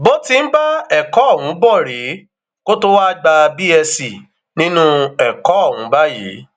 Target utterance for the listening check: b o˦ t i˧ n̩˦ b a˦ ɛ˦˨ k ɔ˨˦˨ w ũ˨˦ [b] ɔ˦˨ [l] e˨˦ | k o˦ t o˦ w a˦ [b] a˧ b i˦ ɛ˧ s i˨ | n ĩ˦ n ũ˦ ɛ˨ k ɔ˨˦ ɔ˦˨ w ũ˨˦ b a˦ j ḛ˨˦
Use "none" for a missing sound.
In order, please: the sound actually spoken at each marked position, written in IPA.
b, ɾ, ɡ͡b

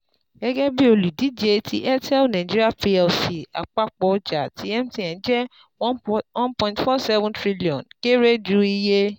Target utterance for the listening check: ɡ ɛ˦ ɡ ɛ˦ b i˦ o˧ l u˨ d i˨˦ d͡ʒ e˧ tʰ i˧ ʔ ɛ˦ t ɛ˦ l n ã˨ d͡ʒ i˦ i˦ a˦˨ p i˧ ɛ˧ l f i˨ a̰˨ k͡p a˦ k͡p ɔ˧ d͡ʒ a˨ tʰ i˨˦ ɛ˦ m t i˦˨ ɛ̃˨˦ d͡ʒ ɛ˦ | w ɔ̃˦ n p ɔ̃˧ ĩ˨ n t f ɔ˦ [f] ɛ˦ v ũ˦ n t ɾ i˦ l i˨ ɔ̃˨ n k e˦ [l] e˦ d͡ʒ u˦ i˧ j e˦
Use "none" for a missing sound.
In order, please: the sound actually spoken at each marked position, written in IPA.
s, ɾ

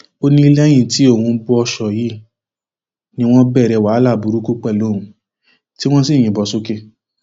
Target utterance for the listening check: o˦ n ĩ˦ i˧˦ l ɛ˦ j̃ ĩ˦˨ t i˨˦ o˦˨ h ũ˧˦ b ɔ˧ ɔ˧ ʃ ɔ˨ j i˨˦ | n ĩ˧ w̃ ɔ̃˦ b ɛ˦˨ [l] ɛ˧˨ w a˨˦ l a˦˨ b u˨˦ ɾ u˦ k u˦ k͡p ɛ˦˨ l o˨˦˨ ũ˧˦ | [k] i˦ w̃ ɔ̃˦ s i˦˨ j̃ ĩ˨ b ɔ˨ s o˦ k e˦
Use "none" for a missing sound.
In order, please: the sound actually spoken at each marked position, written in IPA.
ɾ, t

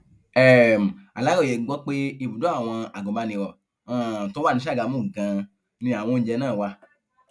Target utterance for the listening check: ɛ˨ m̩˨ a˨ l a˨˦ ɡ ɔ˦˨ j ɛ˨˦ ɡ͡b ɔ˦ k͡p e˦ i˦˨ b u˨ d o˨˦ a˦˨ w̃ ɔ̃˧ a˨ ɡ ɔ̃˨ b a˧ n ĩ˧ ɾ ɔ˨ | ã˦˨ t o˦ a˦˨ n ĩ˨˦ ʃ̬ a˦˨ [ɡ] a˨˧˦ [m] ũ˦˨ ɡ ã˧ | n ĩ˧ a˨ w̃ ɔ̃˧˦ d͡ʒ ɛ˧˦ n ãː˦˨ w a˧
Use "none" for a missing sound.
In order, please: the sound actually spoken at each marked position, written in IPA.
ɡ, m

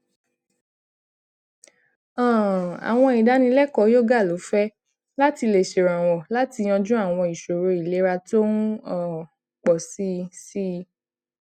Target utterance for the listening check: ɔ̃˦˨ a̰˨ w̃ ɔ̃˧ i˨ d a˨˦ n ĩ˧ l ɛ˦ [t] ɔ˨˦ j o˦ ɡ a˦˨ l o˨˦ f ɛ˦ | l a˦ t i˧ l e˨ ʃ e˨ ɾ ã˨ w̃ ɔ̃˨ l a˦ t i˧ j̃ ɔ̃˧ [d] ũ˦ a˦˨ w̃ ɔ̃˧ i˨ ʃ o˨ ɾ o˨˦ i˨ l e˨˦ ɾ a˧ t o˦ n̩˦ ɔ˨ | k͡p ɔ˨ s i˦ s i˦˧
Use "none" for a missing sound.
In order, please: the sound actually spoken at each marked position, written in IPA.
k, d͡ʒ

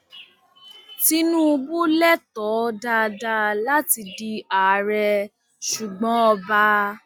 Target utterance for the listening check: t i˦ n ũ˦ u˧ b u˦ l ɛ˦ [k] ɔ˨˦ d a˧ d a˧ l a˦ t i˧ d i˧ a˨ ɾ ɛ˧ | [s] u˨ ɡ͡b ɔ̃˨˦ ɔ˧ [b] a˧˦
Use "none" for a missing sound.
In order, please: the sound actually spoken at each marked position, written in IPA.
t, ʃ, b

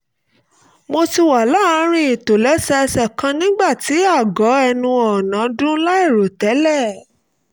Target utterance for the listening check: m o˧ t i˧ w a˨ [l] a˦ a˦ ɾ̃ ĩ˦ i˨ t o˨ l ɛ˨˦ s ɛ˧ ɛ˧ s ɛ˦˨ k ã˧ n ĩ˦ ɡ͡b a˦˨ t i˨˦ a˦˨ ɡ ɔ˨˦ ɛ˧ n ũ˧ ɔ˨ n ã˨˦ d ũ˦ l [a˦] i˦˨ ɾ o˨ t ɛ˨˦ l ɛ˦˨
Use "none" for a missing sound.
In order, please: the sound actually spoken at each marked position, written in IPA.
l, a˦

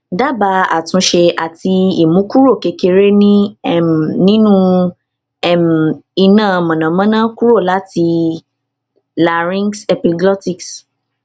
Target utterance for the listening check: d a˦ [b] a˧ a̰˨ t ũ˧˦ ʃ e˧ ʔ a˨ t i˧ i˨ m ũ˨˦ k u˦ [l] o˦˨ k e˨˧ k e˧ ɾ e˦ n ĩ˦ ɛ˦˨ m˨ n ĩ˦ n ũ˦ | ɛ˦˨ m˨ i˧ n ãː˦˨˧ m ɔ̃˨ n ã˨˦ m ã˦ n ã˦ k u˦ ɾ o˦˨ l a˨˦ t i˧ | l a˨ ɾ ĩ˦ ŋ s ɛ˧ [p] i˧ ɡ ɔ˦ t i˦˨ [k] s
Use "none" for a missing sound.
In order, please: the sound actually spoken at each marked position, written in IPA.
b, ɾ, p, k

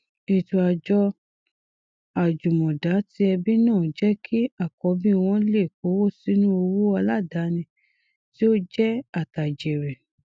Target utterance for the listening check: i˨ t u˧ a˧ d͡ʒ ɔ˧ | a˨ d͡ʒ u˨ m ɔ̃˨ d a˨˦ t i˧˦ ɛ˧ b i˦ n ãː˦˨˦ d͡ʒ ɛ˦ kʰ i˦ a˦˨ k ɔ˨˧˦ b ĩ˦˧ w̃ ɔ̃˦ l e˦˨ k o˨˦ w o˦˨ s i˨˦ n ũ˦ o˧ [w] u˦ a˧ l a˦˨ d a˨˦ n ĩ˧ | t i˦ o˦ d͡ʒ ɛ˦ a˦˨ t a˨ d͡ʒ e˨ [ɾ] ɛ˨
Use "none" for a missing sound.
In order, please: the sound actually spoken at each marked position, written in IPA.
w, ɾ

